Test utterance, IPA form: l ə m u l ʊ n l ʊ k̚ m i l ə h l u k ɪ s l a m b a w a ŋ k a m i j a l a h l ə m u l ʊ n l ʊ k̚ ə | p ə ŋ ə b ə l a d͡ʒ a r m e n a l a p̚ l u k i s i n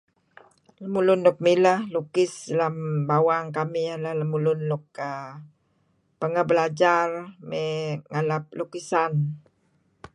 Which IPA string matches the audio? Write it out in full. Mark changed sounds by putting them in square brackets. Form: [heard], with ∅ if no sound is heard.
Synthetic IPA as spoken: l ə m u l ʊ n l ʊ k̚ m i l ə h l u k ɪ s l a m b a w a ŋ k a m i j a l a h l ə m u l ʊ n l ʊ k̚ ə | p ə ŋ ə b ə l a d͡ʒ a r m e [ŋ] a l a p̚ l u k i s [a] n